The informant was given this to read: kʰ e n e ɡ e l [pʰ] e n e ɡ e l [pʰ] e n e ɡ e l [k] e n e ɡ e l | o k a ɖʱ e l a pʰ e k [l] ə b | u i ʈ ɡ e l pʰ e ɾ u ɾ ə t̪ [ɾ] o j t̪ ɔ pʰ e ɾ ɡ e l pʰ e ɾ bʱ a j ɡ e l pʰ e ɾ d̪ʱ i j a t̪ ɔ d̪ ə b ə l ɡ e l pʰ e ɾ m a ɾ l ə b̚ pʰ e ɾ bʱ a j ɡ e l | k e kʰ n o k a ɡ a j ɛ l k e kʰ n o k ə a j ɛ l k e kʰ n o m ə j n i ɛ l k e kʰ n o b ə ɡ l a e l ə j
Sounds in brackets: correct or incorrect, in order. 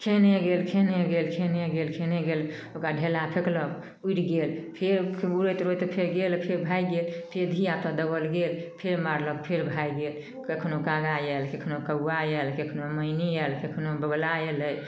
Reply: incorrect, incorrect, incorrect, correct, correct

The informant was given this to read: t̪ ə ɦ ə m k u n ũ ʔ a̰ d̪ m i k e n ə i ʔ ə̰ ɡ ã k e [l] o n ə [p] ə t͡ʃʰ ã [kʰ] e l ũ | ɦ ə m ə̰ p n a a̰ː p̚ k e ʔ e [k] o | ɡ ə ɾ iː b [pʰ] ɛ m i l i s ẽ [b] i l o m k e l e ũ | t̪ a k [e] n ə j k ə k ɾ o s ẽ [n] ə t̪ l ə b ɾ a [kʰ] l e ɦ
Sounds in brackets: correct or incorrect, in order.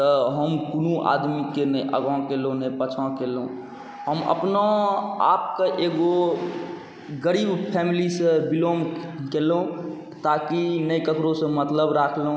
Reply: correct, correct, incorrect, incorrect, correct, correct, incorrect, incorrect, correct

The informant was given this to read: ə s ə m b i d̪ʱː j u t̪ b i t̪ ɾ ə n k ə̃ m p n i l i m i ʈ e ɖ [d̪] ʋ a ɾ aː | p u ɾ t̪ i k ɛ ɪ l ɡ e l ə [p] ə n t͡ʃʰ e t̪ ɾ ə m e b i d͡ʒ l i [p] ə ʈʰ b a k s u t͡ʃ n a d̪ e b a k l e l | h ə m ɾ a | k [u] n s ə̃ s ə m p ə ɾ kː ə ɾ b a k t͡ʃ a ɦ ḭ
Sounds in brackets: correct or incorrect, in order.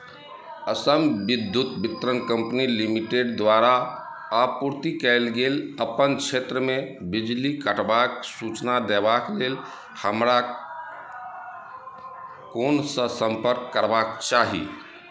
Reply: correct, correct, incorrect, incorrect

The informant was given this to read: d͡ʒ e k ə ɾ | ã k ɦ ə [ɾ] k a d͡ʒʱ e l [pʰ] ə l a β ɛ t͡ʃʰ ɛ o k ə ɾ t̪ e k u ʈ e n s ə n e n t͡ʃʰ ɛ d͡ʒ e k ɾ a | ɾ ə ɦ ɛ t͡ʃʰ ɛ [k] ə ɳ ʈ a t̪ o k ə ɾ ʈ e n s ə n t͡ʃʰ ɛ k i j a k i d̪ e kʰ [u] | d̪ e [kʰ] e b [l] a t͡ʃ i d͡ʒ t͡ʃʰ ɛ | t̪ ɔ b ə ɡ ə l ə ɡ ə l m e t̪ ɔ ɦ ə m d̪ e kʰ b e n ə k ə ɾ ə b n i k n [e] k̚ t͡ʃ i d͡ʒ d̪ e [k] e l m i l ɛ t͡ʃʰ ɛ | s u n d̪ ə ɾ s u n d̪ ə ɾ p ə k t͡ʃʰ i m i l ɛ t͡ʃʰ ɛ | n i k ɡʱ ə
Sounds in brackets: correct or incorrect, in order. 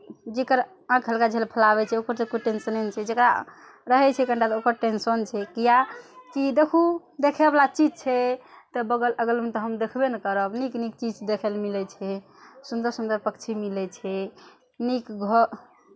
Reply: incorrect, correct, correct, correct, correct, correct, incorrect, incorrect

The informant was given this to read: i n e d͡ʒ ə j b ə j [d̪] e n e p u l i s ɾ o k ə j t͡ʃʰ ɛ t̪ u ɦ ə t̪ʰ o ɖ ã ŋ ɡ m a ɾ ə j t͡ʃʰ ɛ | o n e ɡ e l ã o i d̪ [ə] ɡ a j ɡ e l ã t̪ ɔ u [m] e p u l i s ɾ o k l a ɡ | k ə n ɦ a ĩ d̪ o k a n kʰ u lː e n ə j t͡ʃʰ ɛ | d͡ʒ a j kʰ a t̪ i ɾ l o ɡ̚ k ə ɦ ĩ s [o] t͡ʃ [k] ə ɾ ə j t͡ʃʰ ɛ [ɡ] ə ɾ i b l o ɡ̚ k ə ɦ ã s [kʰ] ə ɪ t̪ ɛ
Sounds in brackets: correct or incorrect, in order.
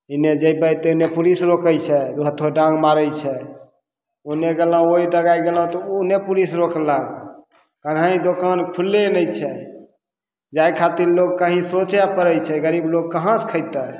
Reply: incorrect, correct, incorrect, correct, incorrect, correct, correct

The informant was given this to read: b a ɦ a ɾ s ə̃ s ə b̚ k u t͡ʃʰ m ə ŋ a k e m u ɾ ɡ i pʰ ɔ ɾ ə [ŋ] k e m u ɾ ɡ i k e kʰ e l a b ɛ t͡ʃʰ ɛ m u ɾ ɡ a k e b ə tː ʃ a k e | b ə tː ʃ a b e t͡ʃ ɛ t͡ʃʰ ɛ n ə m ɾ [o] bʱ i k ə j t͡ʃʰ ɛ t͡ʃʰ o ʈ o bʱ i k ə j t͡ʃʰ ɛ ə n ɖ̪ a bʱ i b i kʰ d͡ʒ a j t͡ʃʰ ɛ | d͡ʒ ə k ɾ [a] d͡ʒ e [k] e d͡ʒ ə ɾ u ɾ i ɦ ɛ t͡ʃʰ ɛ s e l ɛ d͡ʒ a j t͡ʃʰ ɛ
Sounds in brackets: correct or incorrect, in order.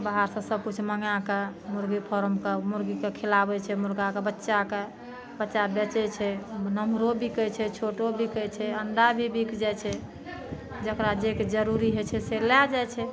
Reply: incorrect, correct, correct, correct

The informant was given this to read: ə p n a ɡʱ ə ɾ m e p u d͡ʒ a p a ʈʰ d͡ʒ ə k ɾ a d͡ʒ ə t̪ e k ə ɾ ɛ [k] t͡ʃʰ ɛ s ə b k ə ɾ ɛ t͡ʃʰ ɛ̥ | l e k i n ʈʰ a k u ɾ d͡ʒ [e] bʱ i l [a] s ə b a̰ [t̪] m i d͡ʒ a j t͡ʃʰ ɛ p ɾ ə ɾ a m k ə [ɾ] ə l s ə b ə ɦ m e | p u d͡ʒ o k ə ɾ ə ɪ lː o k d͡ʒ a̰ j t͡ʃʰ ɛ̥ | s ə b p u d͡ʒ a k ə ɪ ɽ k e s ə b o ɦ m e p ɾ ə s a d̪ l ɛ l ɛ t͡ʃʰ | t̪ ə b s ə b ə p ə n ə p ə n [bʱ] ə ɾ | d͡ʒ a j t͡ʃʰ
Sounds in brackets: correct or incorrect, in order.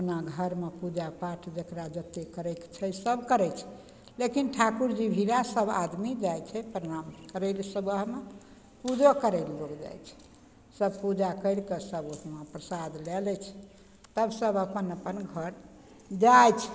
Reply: correct, incorrect, correct, incorrect, correct, incorrect

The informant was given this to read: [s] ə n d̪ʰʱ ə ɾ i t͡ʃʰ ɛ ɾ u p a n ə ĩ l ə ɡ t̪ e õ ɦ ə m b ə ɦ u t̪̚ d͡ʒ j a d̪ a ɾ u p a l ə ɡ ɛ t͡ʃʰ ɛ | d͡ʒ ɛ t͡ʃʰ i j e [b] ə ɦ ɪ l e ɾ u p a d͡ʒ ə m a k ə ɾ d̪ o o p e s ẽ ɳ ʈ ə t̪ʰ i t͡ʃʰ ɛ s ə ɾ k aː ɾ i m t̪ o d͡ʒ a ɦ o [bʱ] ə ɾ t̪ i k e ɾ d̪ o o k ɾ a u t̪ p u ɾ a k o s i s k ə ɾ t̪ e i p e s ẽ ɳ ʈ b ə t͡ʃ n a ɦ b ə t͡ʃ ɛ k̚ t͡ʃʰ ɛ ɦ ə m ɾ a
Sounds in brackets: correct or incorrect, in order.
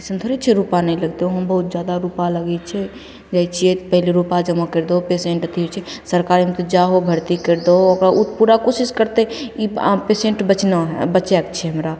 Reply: correct, incorrect, correct

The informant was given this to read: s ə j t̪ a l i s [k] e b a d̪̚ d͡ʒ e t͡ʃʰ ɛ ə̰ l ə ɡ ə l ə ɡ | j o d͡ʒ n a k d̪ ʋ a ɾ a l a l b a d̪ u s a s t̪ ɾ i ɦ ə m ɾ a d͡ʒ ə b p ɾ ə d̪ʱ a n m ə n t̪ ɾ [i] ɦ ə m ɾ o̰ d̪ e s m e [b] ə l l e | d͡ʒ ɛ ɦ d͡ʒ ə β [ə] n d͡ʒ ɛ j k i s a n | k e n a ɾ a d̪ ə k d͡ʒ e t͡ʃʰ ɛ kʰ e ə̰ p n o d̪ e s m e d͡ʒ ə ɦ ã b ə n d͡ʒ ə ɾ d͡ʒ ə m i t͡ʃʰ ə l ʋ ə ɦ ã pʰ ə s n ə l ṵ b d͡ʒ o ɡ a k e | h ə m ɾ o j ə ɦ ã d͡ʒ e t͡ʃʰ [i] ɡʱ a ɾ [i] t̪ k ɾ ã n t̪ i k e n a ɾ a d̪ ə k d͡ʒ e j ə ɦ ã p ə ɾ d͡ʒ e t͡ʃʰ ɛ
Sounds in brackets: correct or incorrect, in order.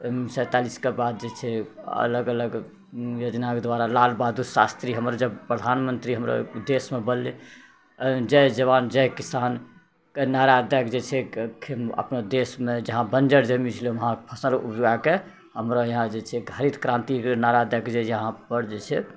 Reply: correct, correct, correct, incorrect, incorrect, correct

